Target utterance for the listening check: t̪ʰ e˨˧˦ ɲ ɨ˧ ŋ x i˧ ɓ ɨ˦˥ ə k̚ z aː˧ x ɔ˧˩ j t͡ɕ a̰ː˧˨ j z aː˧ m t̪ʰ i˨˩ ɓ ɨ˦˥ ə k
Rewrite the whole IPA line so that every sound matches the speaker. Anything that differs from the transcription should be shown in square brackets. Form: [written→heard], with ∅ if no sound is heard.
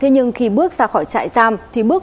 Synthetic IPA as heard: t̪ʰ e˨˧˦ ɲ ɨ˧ ŋ x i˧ ɓ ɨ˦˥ ə k̚ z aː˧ x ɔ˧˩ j t͡ɕ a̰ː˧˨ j z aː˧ m t̪ʰ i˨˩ ɓ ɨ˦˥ ə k